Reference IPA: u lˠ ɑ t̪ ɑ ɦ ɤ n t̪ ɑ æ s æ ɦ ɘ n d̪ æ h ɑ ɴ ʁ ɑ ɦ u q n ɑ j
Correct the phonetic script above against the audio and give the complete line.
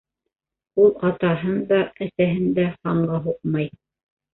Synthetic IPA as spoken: u lˠ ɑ t̪ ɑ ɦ ɤ n d̪ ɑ æ s æ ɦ ɘ n d̪ æ h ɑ ɴ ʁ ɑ ɦ u q m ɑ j